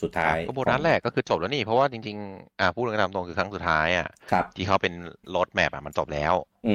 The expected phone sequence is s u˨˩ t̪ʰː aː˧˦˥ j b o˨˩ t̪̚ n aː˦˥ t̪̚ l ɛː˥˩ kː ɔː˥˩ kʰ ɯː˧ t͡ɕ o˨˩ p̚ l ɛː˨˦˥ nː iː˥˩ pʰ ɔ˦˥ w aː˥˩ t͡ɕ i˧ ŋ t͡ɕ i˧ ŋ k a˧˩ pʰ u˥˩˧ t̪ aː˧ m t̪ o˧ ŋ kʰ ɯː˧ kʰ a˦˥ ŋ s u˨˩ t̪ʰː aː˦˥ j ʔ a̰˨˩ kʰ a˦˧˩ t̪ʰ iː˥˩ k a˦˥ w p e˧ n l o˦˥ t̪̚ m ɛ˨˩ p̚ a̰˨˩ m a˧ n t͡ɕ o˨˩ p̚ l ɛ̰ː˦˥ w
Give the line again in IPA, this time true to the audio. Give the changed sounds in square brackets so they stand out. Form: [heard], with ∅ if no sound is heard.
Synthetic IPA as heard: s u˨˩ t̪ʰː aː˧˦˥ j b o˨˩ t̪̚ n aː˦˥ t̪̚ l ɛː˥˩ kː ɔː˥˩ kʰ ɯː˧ t͡ɕ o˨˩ p̚ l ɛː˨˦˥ [n] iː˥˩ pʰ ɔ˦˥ w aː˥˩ t͡ɕ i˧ ŋ t͡ɕ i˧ ŋ [ʔ] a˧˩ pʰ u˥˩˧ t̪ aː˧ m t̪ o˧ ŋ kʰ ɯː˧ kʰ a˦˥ ŋ s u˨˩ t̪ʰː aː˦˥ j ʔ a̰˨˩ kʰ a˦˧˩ t̪ʰ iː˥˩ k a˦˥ w p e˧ n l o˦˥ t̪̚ m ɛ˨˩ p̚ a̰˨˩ m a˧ n t͡ɕ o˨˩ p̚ l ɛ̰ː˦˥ w